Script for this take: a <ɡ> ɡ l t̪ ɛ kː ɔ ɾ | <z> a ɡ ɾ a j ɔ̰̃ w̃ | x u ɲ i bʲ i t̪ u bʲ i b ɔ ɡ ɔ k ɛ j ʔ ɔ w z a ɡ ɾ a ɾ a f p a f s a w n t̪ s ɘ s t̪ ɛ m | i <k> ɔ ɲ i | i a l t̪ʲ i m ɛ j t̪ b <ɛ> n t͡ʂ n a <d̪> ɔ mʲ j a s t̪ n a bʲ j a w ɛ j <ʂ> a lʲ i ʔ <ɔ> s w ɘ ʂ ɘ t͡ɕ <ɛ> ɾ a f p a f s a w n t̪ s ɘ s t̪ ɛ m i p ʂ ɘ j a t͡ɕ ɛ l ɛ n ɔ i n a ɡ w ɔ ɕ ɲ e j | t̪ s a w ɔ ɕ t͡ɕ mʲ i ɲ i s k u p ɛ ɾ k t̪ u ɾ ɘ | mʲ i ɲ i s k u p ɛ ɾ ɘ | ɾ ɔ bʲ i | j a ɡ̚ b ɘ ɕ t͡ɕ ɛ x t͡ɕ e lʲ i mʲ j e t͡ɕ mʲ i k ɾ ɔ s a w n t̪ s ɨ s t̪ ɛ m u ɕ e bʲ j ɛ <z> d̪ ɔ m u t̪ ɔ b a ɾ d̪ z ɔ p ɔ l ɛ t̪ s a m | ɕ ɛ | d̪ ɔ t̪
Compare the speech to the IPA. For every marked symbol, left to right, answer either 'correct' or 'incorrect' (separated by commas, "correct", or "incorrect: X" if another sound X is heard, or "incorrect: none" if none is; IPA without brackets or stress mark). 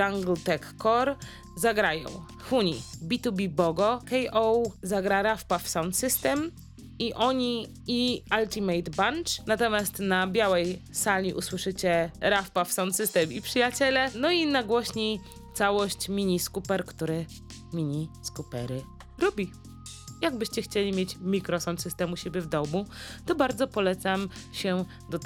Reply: incorrect: ŋ, correct, incorrect: ʔ, incorrect: a, incorrect: t̪, incorrect: s, incorrect: u, correct, incorrect: v